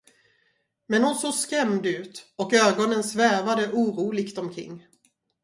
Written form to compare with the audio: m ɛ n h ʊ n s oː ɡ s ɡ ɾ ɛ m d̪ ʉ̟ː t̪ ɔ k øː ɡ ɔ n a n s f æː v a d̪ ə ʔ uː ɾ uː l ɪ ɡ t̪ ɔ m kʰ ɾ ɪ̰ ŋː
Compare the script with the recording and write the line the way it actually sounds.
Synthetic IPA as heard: m ɛ n h ʊ n s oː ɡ s k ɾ ɛ m d̪ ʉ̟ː t̪ ɔ k øː ɡ ɔ n ə n s v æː v a d̪ ə ʔ uː ɾ uː l ɪ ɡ t̪ ɔ m kʰ ɾ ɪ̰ ŋː